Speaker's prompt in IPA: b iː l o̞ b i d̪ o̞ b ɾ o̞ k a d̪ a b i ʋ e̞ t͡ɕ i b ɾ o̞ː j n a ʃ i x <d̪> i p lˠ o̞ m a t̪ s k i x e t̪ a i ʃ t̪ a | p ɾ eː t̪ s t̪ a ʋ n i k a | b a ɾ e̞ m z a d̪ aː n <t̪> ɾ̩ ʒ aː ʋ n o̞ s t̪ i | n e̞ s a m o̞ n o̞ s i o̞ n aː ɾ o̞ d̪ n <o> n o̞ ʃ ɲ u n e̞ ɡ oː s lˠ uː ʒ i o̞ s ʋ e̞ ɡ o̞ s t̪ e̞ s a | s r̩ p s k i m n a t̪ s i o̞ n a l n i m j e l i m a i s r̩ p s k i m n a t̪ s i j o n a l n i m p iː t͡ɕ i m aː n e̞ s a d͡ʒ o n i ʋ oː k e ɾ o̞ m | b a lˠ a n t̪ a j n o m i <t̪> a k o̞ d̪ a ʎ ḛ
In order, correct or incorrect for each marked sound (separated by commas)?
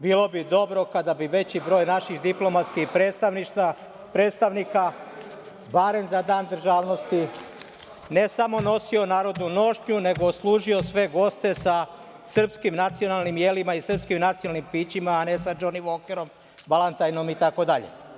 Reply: correct, incorrect, incorrect, correct